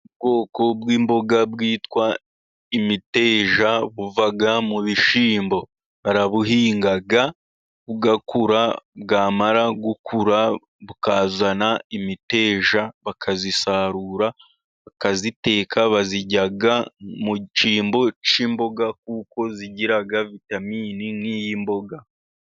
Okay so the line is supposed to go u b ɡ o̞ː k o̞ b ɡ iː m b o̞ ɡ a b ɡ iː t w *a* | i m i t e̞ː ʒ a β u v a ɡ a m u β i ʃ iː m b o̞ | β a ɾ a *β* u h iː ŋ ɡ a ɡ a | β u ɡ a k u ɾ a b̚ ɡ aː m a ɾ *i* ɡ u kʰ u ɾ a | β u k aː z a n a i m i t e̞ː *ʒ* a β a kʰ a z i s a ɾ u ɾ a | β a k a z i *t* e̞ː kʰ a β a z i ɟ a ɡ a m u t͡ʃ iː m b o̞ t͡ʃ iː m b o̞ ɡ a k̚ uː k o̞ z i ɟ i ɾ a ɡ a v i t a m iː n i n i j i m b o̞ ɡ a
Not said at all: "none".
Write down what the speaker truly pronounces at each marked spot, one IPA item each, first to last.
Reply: a, β, a, ʒ, t

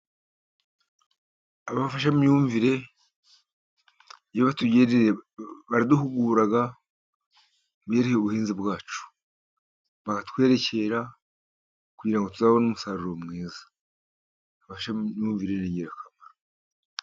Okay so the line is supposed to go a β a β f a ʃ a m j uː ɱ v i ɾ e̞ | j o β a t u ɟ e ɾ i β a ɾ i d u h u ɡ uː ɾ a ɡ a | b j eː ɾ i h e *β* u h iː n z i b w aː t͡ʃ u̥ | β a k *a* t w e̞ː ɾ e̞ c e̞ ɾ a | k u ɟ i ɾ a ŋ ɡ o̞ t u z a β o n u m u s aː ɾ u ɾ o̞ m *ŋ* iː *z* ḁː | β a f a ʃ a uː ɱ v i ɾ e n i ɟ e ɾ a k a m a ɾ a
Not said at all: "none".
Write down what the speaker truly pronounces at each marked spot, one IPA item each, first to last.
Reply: β, a, ŋ, z

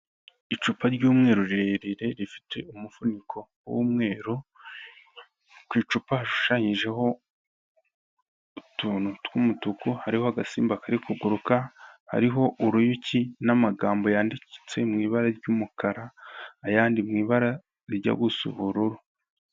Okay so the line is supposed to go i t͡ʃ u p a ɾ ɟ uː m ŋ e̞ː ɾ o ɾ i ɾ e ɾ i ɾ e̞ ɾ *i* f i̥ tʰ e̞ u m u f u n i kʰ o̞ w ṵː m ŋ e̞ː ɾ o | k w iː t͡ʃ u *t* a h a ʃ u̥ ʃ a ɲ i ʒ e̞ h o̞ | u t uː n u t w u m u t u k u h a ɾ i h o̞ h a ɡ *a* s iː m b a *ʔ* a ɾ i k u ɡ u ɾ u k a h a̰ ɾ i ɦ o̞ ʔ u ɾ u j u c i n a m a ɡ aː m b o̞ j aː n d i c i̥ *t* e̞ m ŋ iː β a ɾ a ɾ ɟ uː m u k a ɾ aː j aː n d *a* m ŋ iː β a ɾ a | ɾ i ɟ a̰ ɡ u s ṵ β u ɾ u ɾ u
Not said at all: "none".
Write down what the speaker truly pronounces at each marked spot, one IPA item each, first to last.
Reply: i, p, a, k, t͡s, i

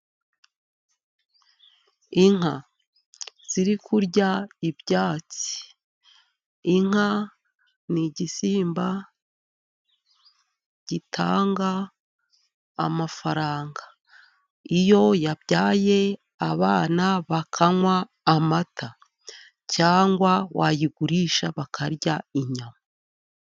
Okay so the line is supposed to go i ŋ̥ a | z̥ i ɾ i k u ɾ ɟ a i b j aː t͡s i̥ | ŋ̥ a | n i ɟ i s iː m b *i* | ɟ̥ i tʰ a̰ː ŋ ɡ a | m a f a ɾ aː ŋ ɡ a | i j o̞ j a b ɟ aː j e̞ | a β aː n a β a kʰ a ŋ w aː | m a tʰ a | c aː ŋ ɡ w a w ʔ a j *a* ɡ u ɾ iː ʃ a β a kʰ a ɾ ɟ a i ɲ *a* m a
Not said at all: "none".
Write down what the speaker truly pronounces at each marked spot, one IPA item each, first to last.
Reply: a, i, a

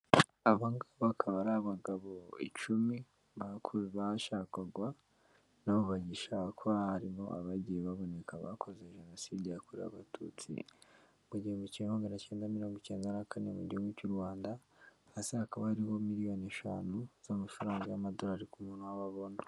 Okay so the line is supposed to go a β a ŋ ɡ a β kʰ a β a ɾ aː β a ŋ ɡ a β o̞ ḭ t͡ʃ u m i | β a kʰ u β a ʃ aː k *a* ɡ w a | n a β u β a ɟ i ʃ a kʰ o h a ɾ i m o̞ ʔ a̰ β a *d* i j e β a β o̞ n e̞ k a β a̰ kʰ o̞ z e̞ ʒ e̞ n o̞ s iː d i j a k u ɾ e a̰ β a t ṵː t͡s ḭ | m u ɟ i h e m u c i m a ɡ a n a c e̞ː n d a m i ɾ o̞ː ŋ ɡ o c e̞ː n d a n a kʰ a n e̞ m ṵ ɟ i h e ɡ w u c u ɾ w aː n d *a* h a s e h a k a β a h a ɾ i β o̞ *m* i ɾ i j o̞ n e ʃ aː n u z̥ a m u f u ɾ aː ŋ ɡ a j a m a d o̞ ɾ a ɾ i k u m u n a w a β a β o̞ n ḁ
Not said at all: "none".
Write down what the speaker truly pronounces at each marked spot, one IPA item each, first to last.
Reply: a, ɟ, a, m

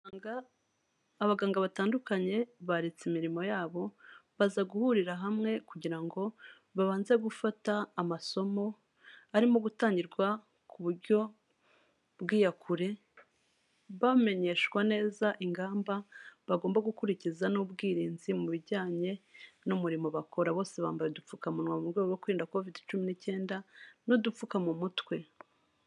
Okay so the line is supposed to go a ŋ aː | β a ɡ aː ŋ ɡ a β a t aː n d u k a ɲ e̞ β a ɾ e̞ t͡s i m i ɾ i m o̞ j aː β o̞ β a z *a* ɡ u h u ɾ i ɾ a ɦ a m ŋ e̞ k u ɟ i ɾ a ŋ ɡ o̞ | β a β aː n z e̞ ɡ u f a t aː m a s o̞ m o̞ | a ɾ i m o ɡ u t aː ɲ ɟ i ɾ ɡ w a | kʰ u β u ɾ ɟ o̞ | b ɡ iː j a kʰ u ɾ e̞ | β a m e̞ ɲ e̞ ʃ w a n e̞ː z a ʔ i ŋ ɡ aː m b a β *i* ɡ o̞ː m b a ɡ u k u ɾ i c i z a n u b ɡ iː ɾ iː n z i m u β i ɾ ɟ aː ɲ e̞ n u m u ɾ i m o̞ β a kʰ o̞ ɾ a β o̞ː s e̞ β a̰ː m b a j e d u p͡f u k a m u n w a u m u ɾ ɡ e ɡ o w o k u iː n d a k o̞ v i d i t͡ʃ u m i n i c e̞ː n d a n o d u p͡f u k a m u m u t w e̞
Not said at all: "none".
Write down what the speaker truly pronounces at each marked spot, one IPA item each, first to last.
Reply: a, a

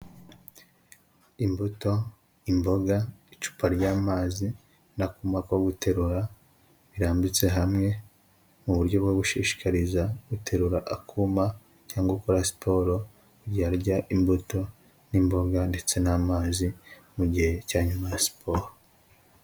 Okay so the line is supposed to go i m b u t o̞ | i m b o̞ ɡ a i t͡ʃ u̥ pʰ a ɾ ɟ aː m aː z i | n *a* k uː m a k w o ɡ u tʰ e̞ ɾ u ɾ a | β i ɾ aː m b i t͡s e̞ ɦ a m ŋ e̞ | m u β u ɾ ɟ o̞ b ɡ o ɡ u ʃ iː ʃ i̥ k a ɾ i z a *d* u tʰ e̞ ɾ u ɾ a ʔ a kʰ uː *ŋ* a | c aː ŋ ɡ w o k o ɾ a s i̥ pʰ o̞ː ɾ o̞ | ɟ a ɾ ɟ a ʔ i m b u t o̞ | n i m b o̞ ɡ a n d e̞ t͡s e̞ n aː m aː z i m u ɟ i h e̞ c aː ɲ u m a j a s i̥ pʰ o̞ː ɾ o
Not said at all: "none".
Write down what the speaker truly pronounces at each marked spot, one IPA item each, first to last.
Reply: a, ɡ, m

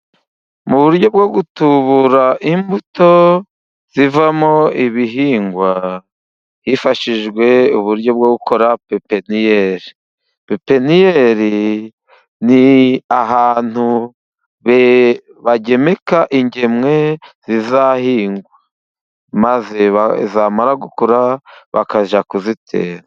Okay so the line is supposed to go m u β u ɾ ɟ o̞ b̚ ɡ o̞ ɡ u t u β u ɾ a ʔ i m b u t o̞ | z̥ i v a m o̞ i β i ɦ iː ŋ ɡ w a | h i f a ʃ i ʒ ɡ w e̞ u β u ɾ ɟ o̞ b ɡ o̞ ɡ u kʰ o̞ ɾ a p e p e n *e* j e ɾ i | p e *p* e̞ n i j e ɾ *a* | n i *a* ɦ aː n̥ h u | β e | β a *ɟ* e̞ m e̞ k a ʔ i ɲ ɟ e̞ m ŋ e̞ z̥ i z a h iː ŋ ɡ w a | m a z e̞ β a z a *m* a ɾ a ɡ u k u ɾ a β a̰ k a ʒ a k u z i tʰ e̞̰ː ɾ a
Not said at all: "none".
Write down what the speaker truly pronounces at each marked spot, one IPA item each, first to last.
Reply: i, p, i, a, ɟ, m

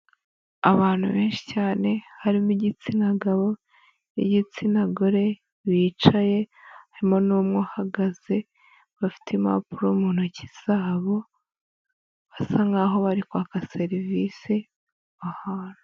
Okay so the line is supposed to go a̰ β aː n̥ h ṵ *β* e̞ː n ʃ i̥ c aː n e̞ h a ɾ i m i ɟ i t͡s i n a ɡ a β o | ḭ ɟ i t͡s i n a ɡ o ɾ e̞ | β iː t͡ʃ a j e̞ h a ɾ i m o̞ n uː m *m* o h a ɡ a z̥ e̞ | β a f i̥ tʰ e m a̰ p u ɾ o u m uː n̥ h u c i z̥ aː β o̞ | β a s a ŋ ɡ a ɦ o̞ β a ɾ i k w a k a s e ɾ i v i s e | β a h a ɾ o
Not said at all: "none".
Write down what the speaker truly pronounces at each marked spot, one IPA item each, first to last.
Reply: β, ŋ

